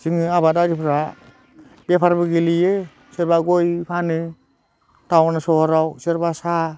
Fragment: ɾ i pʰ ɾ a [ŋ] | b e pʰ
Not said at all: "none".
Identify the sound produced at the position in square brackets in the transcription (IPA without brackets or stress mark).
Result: none